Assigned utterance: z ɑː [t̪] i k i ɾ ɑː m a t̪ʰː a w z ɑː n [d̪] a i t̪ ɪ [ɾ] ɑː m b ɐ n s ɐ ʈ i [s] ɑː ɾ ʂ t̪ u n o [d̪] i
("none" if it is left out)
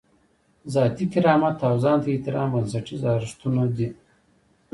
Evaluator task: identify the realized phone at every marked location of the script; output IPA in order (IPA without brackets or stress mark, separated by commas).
t̪, t̪, ɾ, z, d̪